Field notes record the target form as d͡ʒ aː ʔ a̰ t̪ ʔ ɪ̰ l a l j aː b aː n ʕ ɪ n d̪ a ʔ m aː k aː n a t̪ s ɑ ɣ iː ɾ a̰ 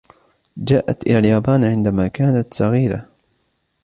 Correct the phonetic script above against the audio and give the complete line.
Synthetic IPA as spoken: d͡ʒ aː ʔ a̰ t̪ ʔ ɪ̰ l a l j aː b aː n ʕ ɪ n d̪ a m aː k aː n a t̪ s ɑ ɣ iː ɾ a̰